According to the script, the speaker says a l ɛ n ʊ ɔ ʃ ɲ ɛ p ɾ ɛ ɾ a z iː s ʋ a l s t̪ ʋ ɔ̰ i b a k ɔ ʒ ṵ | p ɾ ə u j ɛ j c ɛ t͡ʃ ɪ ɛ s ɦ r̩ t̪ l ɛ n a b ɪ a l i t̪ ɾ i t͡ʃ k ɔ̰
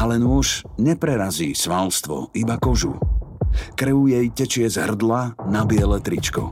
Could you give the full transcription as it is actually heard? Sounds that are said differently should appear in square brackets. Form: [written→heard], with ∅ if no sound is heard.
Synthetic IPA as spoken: a l ɛ n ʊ ɔ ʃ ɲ ɛ p ɾ ɛ ɾ a z iː s ʋ a l s t̪ ʋ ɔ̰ i b a k ɔ ʒ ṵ | [p→k] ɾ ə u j ɛ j c ɛ t͡ʃ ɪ ɛ [s→z] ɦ r̩ [t̪→d̪] l [ɛ→a] n a b ɪ [a→ɛ] l [i→ɛ] t̪ ɾ i t͡ʃ k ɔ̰